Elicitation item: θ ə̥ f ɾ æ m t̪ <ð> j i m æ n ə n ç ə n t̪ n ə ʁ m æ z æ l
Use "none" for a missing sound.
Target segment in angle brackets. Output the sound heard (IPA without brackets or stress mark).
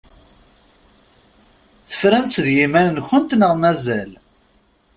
ð